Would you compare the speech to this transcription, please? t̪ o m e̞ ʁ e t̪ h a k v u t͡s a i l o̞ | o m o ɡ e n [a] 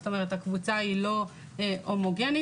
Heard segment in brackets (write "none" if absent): i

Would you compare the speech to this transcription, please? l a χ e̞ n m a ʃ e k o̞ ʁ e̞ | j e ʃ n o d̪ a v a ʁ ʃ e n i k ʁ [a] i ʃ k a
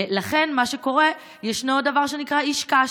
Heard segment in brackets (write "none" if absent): a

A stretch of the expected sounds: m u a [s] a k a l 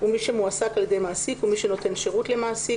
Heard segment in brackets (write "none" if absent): s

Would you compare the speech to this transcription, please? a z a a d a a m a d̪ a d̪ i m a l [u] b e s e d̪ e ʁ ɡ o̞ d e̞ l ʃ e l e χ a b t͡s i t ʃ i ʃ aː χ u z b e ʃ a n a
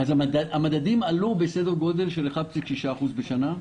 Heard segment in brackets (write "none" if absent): u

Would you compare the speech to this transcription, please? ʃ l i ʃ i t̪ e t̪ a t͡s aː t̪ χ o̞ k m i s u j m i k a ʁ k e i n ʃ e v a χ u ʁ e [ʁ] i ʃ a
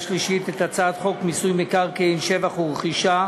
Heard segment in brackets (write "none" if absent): χ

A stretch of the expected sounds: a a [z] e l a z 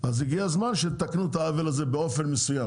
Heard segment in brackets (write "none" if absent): v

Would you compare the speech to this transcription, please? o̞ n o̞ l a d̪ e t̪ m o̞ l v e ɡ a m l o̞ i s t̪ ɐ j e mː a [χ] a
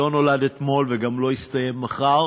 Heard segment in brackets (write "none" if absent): χ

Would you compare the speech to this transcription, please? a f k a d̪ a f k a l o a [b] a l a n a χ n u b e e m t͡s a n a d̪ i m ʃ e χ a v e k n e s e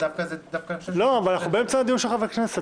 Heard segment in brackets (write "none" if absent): v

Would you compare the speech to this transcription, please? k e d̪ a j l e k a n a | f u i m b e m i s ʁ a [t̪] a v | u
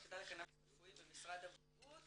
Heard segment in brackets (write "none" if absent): d̪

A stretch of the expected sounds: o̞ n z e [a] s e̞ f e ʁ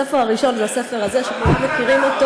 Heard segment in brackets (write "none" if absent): a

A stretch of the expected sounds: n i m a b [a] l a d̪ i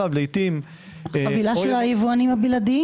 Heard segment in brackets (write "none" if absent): i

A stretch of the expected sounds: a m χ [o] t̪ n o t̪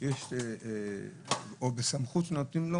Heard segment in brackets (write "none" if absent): u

